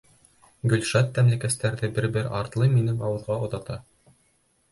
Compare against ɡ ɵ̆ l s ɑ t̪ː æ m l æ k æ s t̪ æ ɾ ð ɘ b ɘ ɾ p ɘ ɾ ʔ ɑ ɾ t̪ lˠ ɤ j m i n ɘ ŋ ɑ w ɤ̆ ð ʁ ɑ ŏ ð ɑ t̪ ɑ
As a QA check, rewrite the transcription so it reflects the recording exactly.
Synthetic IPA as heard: ɡ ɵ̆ l ʃ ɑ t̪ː æ m l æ k æ s t̪ æ ɾ ð ɘ b ɘ ɾ b ɘ ɾ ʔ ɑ ɾ t̪ lˠ ɤ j m i n ɘ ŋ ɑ w ɤ̆ ð ʁ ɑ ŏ ð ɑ t̪ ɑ